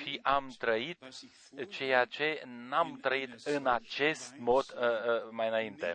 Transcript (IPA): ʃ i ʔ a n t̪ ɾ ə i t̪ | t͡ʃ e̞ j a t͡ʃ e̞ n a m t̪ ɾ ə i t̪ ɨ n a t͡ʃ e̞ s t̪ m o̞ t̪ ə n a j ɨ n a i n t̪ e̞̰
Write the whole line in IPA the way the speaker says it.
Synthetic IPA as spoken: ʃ i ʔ a m t̪ ɾ ə i t̪ | t͡ʃ e̞ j a t͡ʃ e̞ n a m t̪ ɾ ə i t̪ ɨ n a t͡ʃ e̞ s t̪ m o̞ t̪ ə m a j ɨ n a i n t̪ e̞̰